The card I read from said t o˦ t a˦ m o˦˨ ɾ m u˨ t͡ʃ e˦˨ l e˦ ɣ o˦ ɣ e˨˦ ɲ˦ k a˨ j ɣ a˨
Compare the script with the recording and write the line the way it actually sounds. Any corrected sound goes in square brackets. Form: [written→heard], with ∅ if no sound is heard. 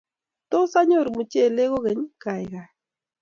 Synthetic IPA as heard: t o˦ [t→s] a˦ [m→ɲ] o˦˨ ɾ m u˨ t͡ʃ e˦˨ l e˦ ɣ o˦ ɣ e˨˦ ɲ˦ k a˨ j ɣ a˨